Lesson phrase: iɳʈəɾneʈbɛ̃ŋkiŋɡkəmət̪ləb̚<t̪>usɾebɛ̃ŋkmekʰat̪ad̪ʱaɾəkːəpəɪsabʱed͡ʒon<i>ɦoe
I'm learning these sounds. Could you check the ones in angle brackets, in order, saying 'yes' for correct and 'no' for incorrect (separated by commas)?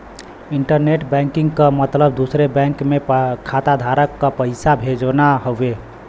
no, no